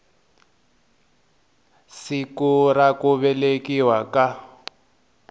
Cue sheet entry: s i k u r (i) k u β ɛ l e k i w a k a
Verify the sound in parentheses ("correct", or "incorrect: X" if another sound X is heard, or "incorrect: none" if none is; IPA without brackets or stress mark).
incorrect: a